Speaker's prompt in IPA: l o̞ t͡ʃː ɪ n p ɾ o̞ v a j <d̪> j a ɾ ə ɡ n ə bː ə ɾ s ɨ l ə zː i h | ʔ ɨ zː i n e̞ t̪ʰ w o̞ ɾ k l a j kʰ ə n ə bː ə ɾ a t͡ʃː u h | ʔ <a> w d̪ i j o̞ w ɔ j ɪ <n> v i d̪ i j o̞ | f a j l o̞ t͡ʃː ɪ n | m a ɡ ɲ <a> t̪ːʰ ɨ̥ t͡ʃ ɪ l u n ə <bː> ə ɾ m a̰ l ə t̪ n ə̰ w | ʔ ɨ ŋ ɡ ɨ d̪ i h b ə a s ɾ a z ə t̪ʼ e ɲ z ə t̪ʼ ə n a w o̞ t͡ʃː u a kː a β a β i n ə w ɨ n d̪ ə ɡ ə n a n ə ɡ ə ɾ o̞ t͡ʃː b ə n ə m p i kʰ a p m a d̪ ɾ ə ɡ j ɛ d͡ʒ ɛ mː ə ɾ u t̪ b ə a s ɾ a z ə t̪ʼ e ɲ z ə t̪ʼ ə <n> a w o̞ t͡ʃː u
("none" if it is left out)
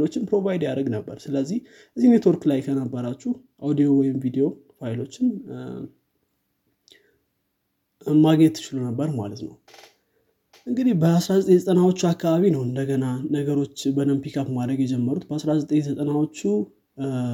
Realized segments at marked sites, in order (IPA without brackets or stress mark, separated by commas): d̪, a, m, ɛ, bː, n